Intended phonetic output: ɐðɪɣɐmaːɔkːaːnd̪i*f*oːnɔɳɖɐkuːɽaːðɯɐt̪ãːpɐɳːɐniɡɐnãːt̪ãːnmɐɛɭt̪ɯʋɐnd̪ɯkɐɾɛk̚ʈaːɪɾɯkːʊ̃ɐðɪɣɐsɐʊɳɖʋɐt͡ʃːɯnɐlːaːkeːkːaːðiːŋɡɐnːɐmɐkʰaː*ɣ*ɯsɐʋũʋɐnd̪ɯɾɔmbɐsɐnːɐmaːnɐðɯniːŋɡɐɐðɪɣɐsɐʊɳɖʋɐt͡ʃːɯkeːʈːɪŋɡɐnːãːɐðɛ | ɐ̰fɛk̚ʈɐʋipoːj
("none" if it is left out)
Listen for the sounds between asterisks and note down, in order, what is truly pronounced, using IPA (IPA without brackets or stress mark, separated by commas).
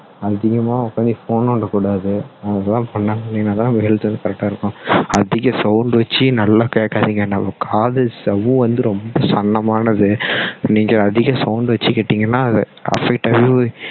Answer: f, ð